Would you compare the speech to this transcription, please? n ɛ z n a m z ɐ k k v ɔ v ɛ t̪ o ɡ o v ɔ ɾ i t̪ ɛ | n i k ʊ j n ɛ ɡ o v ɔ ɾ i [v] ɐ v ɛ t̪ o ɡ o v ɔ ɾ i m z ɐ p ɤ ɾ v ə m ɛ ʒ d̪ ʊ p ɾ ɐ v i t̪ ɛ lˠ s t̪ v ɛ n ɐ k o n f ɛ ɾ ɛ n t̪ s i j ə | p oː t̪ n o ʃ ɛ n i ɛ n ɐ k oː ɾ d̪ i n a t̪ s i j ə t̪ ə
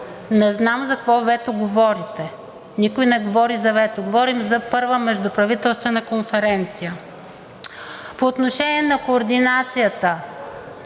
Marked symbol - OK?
no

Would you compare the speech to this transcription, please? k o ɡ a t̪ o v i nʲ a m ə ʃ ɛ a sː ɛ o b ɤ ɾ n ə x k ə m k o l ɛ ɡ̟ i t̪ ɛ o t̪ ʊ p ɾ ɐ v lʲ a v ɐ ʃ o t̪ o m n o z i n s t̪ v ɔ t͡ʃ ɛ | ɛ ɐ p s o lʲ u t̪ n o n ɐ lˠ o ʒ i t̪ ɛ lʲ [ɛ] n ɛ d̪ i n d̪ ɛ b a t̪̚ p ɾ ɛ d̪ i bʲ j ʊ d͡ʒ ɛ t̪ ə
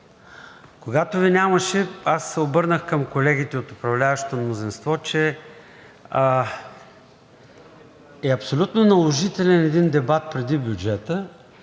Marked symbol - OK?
yes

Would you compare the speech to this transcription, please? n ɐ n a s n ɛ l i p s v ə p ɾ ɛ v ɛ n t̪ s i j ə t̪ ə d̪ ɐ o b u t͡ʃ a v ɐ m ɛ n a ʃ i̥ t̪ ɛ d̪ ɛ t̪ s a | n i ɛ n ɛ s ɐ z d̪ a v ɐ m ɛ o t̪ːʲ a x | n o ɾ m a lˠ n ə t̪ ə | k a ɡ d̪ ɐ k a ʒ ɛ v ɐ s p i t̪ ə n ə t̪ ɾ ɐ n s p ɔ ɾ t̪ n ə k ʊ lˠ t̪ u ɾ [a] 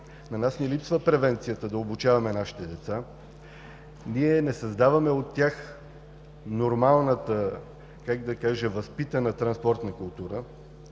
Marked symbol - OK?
no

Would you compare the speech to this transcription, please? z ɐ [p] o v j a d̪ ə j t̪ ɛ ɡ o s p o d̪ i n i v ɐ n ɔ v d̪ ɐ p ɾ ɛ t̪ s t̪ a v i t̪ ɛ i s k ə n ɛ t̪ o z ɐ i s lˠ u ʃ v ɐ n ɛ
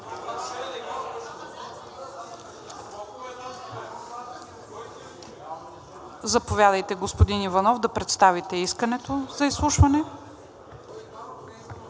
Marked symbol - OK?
yes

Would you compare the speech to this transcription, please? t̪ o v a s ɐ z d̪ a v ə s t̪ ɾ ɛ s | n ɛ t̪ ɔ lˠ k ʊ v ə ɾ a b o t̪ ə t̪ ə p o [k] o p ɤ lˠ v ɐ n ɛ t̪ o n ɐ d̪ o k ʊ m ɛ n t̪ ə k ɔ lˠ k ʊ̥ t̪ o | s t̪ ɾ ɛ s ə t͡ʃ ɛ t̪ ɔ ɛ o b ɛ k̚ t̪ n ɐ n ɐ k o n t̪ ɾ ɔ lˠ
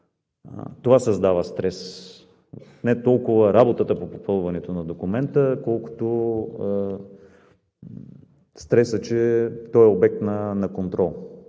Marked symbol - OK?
no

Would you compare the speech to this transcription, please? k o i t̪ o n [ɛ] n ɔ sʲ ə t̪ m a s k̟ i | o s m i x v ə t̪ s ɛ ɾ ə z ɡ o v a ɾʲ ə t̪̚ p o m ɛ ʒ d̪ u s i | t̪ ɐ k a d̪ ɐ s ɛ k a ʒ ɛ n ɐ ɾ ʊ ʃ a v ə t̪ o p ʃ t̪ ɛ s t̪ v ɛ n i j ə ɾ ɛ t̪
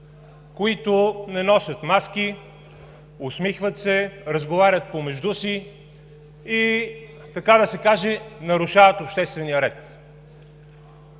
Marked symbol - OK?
yes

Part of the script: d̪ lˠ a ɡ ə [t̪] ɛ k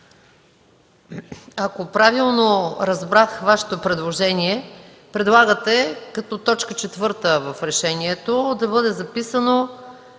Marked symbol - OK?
yes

